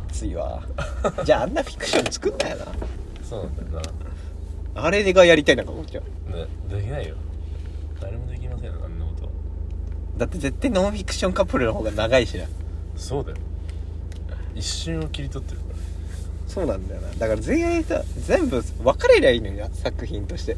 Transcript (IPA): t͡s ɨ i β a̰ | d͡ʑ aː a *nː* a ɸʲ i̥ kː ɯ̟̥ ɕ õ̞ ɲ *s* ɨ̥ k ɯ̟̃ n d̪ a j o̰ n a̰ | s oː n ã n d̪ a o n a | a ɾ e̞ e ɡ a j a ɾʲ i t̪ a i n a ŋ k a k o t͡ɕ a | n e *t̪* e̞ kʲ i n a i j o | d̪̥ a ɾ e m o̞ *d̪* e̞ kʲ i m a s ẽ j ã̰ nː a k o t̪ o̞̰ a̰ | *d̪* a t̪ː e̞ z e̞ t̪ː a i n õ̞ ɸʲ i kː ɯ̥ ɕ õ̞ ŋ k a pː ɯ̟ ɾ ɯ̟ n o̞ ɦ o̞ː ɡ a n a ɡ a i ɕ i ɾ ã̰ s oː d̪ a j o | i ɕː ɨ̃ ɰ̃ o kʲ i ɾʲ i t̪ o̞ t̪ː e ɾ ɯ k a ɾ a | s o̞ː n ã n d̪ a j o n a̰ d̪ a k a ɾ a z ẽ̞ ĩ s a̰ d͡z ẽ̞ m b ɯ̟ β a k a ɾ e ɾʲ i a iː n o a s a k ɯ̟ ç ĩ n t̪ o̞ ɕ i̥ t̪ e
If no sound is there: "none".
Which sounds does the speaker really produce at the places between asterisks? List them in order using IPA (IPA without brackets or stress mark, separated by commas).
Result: nː, t͡s, d̪, d̪, d̪